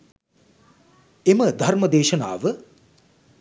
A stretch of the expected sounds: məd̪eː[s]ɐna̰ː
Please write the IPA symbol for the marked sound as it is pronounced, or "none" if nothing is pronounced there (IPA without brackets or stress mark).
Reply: ʃ